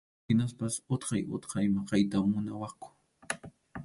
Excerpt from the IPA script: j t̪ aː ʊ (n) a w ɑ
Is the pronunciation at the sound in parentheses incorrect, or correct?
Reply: correct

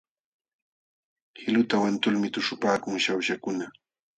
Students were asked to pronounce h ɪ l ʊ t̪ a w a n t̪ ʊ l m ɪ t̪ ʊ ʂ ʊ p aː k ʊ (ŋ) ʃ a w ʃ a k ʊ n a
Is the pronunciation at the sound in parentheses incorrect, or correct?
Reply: correct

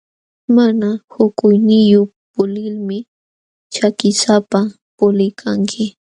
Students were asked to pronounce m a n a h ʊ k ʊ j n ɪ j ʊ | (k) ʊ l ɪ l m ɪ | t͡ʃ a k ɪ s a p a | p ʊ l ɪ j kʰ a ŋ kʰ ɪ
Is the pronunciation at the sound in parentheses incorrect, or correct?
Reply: incorrect: p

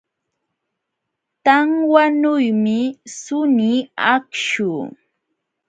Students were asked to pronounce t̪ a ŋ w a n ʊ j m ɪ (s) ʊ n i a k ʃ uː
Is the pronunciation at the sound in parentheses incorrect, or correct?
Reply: correct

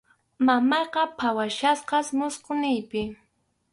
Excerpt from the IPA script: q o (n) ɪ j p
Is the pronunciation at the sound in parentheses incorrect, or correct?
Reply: correct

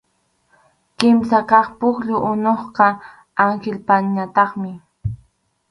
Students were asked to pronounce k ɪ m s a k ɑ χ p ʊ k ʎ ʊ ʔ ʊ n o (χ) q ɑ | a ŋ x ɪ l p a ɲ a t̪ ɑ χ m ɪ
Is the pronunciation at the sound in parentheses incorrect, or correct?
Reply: correct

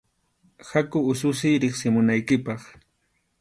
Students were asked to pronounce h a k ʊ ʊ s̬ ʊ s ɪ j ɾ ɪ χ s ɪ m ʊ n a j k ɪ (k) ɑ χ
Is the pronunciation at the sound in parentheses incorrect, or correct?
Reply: incorrect: p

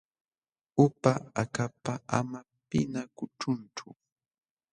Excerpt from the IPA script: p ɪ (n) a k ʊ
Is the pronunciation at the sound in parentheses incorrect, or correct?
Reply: correct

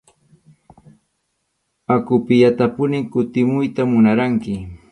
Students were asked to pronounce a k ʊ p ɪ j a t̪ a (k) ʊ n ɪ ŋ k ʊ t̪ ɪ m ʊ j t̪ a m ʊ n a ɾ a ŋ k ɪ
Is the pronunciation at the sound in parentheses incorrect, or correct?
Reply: incorrect: p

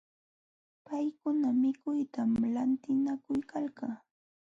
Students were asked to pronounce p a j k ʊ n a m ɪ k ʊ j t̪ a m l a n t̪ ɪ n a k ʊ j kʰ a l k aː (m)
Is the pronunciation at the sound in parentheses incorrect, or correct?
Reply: incorrect: none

